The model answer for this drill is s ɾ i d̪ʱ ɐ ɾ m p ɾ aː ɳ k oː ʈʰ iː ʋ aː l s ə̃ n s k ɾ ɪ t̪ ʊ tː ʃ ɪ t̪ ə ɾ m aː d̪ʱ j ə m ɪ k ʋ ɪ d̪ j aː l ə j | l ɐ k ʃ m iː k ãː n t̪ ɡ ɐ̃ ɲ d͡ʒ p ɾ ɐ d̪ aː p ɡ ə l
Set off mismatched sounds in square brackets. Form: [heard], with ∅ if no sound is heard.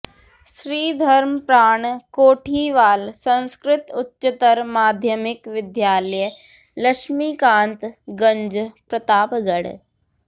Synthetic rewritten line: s ɾ [iː] d̪ʱ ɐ ɾ m p ɾ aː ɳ k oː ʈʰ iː ʋ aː l s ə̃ n s k ɾ ɪ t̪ ʊ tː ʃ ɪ t̪ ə ɾ m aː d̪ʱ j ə m ɪ k ʋ ɪ d̪ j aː l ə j | l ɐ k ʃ m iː k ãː n t̪ ɡ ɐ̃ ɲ d͡ʒ p ɾ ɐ [t̪] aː p ɡ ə [ɽ]